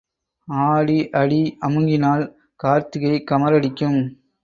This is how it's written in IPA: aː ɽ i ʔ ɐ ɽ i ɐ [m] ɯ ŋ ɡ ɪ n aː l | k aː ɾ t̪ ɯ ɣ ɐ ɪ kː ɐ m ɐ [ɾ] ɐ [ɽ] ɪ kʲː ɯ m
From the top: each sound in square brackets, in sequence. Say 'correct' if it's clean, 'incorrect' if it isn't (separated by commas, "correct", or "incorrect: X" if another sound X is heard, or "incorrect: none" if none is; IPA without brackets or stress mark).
correct, correct, correct